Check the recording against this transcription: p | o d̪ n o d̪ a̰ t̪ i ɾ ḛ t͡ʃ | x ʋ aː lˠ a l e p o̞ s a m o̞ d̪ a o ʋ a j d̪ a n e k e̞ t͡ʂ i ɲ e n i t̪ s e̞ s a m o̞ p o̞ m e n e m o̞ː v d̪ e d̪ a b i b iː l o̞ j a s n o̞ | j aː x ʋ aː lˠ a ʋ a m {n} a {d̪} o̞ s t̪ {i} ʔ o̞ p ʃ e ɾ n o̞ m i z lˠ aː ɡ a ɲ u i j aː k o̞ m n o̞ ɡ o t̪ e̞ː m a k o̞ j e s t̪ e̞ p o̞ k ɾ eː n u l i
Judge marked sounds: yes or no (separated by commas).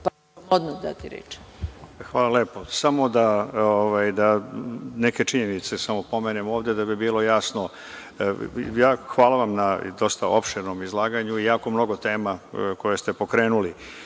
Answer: yes, yes, no